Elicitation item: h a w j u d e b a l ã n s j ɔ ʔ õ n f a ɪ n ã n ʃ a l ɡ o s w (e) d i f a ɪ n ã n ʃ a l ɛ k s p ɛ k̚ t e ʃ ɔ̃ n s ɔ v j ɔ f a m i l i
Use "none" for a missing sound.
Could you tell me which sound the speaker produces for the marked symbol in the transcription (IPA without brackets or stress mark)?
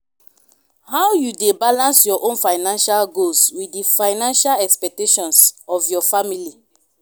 i